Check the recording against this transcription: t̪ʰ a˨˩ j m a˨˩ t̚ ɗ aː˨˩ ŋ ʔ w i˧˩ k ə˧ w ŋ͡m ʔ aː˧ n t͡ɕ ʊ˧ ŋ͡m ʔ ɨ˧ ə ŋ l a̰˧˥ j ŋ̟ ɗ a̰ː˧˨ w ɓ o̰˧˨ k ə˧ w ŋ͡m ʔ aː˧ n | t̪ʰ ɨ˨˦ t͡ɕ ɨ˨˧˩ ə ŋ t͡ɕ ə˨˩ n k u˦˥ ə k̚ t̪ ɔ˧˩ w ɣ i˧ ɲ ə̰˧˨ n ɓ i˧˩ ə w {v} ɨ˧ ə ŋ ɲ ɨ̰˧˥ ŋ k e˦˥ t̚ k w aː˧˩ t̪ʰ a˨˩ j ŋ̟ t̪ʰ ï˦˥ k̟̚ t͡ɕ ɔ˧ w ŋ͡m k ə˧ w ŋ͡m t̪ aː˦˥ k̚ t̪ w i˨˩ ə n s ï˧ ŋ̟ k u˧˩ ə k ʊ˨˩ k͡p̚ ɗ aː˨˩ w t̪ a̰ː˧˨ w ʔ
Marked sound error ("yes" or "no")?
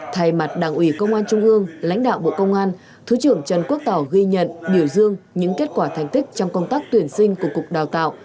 yes